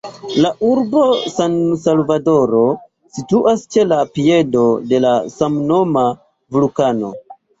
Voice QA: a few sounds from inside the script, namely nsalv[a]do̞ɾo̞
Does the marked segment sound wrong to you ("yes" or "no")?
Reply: no